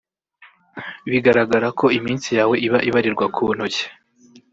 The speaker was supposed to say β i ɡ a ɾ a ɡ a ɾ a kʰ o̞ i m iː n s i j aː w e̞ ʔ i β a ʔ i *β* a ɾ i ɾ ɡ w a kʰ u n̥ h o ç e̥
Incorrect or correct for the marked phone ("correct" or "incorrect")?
correct